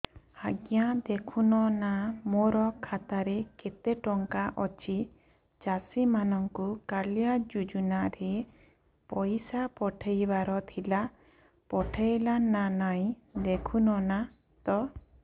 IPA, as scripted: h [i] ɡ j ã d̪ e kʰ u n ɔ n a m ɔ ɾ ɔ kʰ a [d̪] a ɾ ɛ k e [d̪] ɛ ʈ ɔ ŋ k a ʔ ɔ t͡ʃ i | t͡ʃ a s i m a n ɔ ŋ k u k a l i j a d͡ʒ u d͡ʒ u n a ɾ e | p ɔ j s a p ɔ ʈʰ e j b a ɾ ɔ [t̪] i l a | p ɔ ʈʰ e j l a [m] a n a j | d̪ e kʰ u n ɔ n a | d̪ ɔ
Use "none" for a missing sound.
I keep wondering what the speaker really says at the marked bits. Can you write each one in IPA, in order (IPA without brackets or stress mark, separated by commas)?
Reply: a, t̪, t̪, t̪ʰ, n